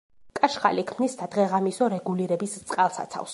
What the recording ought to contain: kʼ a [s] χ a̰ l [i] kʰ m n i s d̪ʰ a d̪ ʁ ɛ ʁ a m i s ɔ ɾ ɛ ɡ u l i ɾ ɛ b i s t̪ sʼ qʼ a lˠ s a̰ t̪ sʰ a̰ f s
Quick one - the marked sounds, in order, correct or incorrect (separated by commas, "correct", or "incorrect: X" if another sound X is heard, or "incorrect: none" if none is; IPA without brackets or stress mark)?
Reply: incorrect: ʃ, correct